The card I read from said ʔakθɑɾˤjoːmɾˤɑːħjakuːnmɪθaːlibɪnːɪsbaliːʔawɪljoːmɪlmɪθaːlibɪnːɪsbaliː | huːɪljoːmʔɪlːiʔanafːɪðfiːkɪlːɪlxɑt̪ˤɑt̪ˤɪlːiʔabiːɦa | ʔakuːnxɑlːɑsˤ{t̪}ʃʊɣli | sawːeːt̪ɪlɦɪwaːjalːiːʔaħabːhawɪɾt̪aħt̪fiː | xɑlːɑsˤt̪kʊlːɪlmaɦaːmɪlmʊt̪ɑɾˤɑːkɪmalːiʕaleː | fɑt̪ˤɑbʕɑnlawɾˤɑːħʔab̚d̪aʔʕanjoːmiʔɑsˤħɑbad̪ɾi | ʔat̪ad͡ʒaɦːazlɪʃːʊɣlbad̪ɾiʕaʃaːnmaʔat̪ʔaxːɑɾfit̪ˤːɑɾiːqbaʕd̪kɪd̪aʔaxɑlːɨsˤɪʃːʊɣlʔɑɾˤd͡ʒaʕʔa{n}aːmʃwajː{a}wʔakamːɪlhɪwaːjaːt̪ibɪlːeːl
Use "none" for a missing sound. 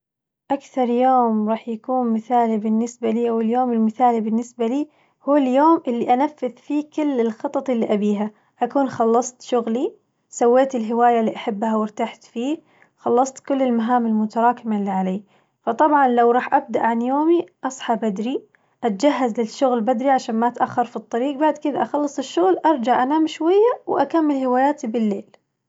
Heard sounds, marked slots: t̪, n, a

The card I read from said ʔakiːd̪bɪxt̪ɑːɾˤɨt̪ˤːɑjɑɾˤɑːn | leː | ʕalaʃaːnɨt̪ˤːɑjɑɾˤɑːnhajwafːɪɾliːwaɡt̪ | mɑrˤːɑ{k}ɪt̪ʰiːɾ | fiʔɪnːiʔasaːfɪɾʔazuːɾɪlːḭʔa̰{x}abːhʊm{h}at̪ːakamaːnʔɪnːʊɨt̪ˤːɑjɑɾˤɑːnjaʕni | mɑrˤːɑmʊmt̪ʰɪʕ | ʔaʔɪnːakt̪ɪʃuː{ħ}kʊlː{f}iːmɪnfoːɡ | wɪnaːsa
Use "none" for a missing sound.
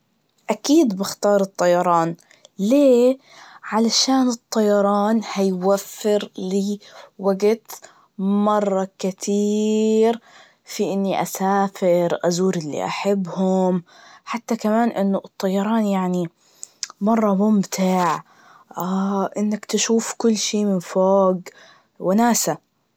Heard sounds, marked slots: k, ħ, ħ, f, ʃ

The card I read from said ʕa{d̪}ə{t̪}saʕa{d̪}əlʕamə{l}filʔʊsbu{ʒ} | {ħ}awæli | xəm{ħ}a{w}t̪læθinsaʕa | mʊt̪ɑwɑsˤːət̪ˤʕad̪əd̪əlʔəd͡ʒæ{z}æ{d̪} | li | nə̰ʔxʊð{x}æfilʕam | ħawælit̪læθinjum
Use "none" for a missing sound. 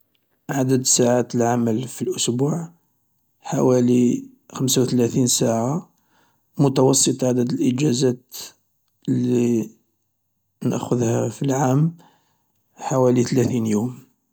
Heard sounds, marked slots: d̪, d̪, t̪, l, ʕ, ħ, s, w, z, t̪, h

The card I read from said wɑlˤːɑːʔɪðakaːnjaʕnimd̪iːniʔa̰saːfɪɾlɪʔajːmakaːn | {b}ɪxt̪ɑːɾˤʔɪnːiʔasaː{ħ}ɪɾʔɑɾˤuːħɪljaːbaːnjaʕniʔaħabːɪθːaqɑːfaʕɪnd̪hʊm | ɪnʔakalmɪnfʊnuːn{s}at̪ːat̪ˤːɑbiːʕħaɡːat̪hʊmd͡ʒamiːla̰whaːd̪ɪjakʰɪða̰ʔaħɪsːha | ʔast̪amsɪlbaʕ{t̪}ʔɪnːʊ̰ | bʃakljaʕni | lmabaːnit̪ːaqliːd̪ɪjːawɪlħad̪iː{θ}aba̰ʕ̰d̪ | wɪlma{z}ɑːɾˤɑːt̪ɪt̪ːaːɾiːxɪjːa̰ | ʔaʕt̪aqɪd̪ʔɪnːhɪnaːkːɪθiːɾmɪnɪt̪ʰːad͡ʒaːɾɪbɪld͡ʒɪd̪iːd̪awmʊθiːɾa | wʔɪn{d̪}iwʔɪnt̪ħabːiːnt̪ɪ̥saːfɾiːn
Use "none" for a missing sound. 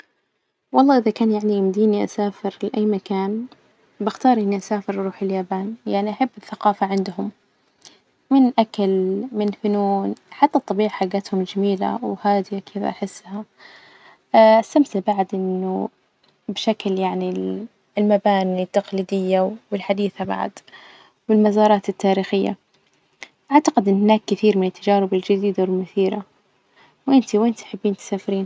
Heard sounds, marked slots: b, f, ħ, d̪, θ, z, t̪

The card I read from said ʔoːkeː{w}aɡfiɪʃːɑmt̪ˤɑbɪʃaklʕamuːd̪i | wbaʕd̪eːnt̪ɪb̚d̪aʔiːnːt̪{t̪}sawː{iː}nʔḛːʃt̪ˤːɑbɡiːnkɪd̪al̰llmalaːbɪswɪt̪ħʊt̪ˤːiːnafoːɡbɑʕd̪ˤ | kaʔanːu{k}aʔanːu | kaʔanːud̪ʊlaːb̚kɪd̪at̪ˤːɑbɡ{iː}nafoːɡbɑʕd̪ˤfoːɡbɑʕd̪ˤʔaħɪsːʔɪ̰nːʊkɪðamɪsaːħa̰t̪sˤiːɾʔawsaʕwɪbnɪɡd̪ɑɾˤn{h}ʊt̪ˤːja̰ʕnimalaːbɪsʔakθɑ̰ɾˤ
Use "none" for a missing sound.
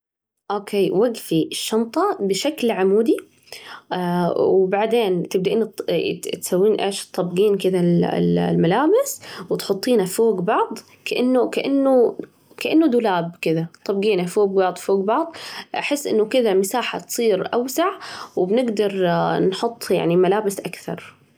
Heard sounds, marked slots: w, t̪, iː, k, iː, ħ

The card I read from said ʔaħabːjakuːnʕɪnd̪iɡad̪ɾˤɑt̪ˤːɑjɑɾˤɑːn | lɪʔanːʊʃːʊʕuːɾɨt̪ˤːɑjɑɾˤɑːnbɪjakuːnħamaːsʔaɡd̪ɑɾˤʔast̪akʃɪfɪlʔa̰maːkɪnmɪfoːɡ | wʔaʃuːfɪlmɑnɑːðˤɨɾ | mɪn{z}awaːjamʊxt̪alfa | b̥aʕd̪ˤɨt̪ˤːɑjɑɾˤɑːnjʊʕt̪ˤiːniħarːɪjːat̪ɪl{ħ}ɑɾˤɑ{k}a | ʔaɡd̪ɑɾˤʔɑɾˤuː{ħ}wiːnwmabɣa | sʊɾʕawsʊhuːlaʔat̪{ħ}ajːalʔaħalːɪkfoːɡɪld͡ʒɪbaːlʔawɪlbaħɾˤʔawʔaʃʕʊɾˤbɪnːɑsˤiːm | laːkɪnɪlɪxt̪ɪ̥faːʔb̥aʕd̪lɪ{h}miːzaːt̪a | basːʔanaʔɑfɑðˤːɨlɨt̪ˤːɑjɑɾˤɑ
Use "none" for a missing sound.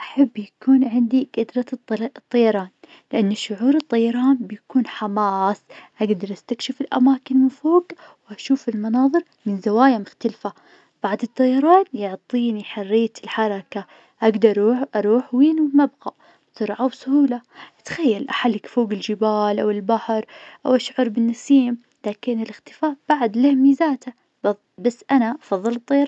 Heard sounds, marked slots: z, ħ, k, ħ, x, h

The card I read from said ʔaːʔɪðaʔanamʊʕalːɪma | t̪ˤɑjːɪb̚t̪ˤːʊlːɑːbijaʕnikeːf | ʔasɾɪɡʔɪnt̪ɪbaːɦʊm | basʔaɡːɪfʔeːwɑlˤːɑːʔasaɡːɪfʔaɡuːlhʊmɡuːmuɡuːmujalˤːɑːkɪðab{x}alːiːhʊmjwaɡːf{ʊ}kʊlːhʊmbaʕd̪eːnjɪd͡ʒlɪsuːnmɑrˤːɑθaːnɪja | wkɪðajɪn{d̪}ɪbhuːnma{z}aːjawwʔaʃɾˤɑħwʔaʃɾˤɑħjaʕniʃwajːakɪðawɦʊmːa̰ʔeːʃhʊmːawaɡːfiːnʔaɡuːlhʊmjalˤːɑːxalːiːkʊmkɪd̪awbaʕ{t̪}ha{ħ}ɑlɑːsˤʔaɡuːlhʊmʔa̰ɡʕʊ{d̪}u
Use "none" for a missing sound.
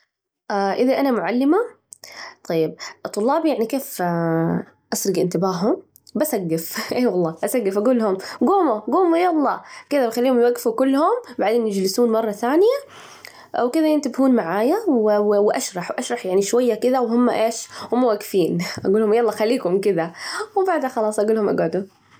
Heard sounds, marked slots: x, u, t̪, ʕ, d̪, x, d̪

